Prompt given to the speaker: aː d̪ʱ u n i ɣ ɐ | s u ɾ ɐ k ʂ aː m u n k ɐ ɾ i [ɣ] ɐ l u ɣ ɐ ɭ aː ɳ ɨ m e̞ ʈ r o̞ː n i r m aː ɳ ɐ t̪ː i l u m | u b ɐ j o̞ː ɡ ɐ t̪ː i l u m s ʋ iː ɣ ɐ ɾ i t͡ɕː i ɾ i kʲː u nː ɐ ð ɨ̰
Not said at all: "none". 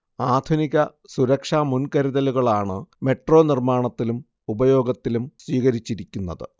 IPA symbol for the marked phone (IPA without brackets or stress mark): ð